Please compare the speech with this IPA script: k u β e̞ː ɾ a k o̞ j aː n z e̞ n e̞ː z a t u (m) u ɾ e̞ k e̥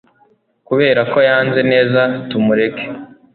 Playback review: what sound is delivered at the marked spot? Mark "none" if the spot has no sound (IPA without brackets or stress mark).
m